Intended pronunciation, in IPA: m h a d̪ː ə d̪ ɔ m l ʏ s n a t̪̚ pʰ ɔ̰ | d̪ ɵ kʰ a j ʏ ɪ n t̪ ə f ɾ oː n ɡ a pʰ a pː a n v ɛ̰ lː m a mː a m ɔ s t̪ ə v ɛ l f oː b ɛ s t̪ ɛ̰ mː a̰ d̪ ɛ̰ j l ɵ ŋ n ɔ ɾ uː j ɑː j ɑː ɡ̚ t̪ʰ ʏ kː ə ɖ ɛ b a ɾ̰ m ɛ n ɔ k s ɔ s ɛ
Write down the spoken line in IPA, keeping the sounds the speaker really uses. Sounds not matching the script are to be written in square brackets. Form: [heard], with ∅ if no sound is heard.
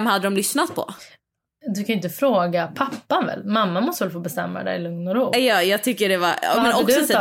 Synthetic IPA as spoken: m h a d̪ː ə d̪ ɔ m l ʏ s n a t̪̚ pʰ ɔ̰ | d̪ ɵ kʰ a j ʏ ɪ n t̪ ə f ɾ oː [∅] ɡ a pʰ a pː a n v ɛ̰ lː m a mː a m ɔ s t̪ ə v ɛ l f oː b ɛ s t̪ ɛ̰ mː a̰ d̪ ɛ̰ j l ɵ ŋ n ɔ ɾ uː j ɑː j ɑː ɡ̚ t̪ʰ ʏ kː ə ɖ ɛ [v] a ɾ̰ m ɛ n ɔ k s ɔ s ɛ